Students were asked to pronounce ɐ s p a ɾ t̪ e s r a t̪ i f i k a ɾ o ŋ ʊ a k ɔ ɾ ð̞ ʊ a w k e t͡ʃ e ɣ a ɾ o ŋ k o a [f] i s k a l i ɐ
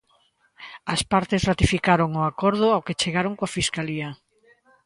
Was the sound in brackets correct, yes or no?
yes